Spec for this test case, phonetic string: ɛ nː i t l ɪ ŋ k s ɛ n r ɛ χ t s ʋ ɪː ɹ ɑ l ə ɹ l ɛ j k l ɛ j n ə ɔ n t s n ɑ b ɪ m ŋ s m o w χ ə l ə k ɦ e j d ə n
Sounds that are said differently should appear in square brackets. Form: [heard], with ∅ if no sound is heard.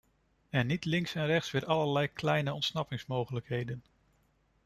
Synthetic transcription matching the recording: ɛ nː i t l ɪ ŋ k s ɛ n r ɛ χ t s ʋ ɪː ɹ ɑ l ə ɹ l ɛ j k l ɛ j n ə ɔ n t s n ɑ [p] ɪ [∅] ŋ s m o w χ ə l ə k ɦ e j d ə n